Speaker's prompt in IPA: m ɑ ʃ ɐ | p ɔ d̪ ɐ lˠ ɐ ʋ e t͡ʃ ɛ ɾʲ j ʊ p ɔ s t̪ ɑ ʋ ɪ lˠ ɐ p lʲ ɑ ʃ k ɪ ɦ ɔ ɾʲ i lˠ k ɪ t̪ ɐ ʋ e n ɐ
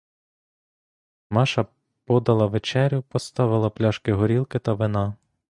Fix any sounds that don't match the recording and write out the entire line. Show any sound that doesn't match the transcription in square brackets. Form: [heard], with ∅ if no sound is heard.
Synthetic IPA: m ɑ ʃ ɐ | p ɔ d̪ ɐ lˠ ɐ ʋ e t͡ʃ ɛ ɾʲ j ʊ p ɔ s t̪ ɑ ʋ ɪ lˠ ɐ p lʲ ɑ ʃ k ɪ ɦ ɔ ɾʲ i lˠ k ɪ t̪ ɐ ʋ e n [ɑ]